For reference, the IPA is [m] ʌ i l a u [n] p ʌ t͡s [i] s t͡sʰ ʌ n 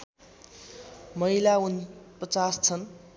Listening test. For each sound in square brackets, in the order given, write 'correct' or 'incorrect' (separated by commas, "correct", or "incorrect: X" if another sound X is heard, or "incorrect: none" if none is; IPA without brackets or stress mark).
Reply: correct, correct, incorrect: a